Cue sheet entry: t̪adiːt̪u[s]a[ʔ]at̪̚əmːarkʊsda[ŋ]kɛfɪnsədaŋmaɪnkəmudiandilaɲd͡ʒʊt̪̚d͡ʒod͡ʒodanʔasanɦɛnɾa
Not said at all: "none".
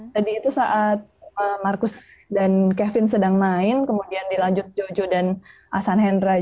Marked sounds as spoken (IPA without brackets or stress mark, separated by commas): s, ʔ, n